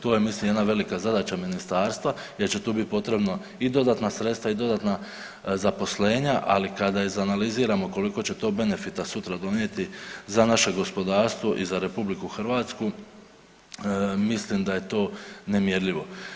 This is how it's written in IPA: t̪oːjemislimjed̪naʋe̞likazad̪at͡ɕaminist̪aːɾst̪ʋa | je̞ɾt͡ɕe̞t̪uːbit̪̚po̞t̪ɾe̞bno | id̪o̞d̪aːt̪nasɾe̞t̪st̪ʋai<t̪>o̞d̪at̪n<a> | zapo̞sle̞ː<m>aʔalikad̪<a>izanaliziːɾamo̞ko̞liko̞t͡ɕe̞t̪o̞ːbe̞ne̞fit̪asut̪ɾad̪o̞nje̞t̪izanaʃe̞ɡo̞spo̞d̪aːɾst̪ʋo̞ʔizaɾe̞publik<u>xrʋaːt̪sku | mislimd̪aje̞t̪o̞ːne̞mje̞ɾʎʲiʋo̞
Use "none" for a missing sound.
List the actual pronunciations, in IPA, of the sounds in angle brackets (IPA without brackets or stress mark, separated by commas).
d̪, a, ɲ, a, u